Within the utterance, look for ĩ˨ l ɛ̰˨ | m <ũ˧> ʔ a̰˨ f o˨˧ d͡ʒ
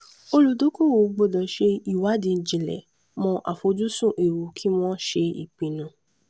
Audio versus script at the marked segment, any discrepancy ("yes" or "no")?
yes